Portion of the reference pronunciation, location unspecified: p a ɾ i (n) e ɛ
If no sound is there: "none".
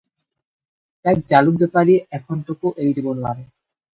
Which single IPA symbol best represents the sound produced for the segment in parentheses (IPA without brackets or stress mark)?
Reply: none